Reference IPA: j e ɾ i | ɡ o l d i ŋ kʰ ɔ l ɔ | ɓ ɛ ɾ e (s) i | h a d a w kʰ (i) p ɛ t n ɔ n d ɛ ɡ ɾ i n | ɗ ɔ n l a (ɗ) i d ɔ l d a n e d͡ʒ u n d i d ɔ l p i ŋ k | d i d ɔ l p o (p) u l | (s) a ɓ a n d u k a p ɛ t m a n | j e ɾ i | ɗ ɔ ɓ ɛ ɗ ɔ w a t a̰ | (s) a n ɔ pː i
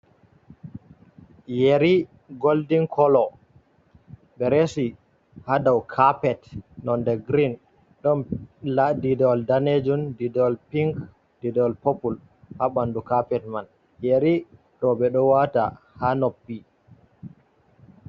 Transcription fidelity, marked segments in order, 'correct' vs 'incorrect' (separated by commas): correct, incorrect, incorrect, correct, incorrect, incorrect